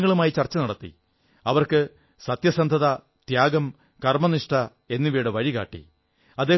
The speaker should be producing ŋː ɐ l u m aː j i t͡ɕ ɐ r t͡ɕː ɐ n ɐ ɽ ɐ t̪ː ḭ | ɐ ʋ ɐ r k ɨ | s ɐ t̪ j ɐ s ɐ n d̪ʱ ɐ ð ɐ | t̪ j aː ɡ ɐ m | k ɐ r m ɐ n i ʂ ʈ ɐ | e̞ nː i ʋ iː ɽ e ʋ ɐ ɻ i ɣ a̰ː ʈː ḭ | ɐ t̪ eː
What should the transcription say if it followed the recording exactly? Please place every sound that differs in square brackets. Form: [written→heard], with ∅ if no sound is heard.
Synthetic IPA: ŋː ɐ [l→ɭ] u m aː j i t͡ɕ ɐ r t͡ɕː ɐ n ɐ ɽ ɐ t̪ː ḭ | ɐ ʋ ɐ r k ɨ | s ɐ t̪ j ɐ s ɐ n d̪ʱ ɐ ð ɐ | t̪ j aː ɡ ɐ m | k ɐ r m ɐ n i ʂ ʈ ɐ | e̞ nː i ʋ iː ɽ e ʋ ɐ ɻ i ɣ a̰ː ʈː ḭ | ɐ [t̪→d̪] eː